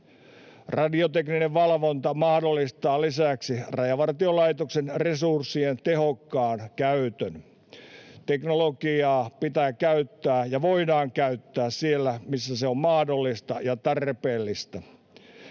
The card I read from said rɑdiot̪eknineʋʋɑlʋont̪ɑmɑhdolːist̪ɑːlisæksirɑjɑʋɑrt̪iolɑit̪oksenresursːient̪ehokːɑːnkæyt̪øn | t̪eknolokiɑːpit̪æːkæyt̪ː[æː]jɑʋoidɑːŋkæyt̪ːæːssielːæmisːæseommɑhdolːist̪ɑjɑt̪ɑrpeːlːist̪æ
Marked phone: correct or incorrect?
correct